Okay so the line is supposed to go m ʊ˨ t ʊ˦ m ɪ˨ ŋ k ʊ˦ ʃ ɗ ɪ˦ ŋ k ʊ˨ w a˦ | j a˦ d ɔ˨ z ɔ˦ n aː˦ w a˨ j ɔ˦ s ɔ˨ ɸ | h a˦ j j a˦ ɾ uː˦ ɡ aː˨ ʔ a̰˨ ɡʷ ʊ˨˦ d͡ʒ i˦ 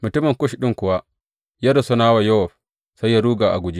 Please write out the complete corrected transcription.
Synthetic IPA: m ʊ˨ t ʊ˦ m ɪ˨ ŋ k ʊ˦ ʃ ɗ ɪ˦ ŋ k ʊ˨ w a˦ | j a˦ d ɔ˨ s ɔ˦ n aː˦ w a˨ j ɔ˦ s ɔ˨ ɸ | s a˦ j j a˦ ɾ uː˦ ɡ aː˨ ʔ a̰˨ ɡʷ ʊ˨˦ d͡ʒ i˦